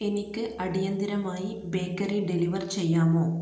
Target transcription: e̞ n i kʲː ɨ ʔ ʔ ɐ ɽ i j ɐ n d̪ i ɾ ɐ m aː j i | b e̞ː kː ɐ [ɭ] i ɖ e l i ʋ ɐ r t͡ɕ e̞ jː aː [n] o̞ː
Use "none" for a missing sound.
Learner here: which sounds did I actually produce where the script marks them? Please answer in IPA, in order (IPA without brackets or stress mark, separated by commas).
r, m